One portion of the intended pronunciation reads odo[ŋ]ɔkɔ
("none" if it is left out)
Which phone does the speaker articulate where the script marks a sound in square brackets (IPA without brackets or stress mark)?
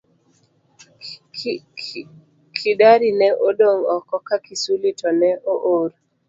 ŋ